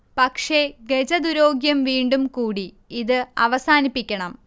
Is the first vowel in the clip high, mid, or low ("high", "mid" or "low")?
low